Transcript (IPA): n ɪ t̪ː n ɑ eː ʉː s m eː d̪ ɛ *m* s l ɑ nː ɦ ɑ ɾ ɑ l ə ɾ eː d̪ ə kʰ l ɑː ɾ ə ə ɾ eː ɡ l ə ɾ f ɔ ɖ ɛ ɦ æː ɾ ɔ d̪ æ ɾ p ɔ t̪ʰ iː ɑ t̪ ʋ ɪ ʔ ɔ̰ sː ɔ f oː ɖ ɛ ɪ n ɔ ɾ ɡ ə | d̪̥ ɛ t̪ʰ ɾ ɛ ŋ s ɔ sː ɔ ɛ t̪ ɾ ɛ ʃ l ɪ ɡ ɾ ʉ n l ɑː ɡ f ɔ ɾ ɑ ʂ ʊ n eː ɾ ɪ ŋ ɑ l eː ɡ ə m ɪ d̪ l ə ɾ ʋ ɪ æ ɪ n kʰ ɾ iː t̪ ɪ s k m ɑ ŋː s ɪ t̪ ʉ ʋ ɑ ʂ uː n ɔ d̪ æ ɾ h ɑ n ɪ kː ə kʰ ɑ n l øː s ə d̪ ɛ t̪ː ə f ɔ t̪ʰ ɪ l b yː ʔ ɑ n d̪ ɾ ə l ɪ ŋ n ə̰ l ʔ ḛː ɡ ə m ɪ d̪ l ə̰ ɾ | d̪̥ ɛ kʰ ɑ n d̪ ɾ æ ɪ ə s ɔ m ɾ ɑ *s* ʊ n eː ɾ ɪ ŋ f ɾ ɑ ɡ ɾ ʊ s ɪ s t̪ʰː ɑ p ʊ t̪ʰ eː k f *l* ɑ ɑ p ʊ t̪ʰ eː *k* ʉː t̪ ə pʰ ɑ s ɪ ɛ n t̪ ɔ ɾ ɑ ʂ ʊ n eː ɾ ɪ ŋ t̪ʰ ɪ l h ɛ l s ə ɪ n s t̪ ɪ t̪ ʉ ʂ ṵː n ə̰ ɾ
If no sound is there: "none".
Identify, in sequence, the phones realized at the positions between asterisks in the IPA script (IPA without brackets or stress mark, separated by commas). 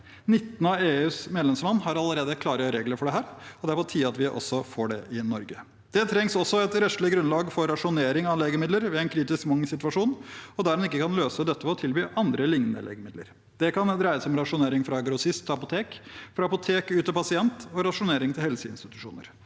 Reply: m, ʂ, ɾ, k